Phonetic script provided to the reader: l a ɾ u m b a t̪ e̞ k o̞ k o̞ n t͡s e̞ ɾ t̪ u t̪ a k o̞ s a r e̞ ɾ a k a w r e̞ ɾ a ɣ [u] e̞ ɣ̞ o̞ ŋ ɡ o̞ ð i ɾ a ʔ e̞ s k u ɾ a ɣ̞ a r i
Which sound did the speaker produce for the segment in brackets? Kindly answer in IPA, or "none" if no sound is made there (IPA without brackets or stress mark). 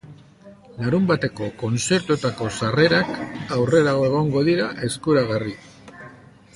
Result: o